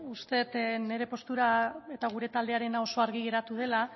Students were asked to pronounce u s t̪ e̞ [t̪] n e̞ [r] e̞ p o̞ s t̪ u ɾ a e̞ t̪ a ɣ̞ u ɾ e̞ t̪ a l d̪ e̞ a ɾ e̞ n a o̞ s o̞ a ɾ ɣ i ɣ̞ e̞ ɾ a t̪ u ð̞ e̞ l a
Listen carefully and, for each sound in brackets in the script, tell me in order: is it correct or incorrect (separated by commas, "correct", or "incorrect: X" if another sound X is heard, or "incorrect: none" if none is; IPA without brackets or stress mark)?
correct, incorrect: ɾ